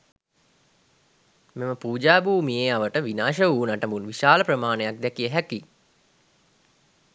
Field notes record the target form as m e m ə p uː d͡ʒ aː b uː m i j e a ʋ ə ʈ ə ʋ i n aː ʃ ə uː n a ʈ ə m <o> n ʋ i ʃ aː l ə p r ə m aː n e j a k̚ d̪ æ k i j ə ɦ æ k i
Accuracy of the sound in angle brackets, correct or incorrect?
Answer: incorrect